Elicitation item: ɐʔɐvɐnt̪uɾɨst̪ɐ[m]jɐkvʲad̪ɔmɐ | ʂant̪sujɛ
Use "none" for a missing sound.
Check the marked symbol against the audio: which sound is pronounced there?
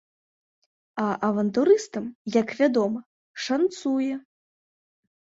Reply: m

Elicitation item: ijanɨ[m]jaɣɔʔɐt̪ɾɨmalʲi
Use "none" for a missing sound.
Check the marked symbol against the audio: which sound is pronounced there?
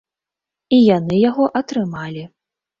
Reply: none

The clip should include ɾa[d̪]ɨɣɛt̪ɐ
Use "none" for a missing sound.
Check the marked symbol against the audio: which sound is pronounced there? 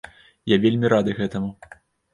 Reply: d̪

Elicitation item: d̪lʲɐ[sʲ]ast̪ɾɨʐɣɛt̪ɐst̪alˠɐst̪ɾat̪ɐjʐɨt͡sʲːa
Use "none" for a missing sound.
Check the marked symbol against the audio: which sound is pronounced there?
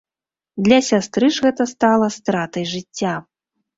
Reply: sʲ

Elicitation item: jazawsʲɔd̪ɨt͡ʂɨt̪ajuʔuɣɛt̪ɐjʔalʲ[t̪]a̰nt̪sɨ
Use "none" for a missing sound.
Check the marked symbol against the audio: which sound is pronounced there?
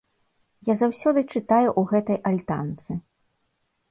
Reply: t̪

